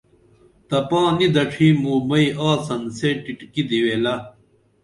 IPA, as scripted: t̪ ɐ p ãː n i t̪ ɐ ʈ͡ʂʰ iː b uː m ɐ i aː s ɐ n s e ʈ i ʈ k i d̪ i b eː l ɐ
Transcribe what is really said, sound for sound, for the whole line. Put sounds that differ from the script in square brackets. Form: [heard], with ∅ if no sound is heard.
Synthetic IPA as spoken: t̪ ɐ p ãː n i [d̪] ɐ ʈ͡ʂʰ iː [m] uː m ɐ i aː s ɐ n s e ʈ i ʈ k i d̪ i [w] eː l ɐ